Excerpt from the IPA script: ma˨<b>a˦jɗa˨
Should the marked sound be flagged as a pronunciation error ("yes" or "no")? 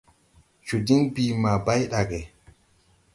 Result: no